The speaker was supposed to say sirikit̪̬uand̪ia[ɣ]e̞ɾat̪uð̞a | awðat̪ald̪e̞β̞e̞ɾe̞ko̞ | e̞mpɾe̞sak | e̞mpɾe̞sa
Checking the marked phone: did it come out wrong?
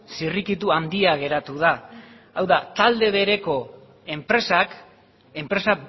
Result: no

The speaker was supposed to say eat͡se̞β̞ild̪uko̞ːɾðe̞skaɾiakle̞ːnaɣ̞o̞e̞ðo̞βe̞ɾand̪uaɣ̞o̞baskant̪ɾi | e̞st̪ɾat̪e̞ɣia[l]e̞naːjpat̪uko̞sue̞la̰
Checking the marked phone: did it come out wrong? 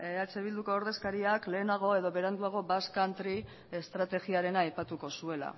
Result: yes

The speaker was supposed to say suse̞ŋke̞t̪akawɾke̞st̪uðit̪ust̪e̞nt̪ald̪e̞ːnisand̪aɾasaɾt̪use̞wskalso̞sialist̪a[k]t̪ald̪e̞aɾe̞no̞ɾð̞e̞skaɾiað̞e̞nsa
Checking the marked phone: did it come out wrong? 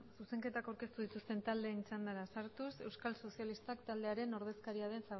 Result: no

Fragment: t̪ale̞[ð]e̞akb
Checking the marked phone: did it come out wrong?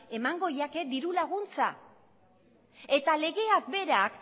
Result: yes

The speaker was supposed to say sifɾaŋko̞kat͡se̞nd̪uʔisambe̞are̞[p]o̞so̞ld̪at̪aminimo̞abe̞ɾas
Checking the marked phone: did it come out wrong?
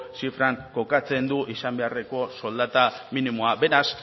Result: yes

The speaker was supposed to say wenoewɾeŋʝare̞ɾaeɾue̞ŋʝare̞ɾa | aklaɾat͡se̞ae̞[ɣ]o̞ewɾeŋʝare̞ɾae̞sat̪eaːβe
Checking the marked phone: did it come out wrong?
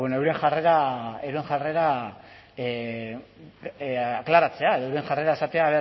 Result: yes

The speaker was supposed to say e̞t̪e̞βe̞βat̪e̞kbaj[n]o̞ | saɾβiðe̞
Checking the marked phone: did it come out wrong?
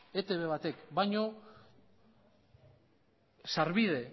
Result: yes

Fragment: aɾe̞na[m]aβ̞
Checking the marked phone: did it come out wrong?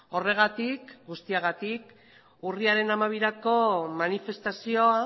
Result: no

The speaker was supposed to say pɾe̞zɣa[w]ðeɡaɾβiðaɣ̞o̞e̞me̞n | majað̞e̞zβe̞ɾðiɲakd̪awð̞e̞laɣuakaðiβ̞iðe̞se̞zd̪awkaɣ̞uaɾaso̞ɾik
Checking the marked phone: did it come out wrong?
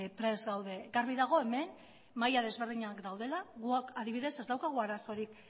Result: no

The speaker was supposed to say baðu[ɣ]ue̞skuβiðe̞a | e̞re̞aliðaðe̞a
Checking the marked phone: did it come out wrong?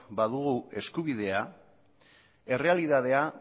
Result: no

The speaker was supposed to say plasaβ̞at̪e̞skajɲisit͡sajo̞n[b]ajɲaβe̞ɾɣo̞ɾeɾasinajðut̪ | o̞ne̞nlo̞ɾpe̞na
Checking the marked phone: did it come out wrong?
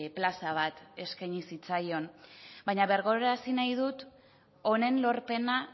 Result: no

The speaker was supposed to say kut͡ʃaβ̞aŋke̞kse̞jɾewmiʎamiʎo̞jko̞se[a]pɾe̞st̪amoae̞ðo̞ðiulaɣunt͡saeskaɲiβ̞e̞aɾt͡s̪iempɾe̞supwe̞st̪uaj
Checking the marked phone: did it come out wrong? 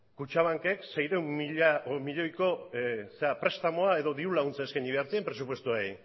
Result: no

